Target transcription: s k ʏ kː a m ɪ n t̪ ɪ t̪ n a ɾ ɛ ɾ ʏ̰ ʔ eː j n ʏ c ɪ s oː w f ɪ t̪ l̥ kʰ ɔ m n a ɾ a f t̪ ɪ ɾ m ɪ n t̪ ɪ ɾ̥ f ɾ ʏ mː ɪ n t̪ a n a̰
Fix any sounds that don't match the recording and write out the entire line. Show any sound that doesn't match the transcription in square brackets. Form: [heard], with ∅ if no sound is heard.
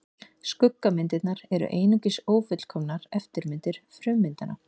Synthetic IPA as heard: s k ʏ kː a m ɪ n t̪ ɪ t̪ n a ɾ ɛ ɾ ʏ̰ ʔ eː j n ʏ c ɪ s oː w f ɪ t̪ l̥ kʰ ɔ m n a ɾ [ɛ] f t̪ ɪ ɾ m ɪ n t̪ ɪ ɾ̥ f ɾ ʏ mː ɪ n t̪ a n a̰